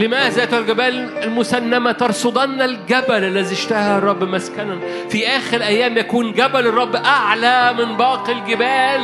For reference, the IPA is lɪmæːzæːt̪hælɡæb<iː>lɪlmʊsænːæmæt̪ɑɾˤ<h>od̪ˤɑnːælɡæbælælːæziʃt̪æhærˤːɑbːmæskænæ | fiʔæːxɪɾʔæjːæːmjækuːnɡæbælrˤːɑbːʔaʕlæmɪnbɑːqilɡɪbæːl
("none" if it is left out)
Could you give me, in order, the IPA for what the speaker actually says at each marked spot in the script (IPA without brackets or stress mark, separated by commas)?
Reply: æː, s